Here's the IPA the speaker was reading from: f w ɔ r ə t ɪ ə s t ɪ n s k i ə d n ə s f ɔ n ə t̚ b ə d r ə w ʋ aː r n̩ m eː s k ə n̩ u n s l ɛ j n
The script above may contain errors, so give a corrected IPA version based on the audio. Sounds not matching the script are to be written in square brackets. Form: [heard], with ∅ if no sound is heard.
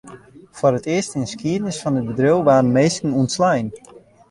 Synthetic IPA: f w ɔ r ə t ɪ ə s t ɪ n s k i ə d n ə s f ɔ n ə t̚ b ə d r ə w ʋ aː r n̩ m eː s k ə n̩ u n s l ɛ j n